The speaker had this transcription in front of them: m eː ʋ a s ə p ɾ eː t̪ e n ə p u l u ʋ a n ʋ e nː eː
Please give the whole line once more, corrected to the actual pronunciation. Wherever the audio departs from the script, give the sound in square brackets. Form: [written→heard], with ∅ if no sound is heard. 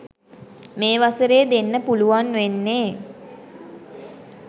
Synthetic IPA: m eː ʋ a s ə [p→∅] ɾ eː [t̪→d̪] e [n→nː] ə p u l u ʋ a n ʋ e nː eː